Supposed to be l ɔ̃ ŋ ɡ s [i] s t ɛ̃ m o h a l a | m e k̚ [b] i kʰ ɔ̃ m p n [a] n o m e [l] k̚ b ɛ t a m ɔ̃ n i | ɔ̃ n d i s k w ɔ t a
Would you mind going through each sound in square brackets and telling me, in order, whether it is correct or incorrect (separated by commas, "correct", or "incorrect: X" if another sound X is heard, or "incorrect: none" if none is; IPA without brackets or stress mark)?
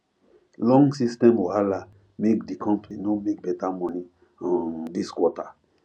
correct, incorrect: d, incorrect: i, incorrect: none